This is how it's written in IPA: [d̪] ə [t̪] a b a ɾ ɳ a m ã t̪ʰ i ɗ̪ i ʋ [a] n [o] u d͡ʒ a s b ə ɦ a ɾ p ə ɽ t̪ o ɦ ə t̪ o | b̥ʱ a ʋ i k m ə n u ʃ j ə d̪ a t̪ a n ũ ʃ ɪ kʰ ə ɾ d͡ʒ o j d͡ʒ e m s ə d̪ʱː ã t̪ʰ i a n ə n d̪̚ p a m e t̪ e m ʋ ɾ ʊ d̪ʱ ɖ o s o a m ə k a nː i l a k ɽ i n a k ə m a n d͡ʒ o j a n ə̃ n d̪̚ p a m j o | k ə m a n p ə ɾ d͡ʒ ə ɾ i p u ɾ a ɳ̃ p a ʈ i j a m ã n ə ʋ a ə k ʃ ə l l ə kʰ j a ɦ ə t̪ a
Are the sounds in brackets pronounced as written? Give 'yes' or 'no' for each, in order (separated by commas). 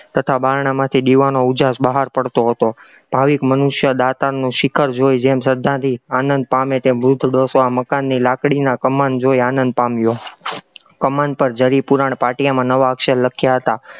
no, no, yes, yes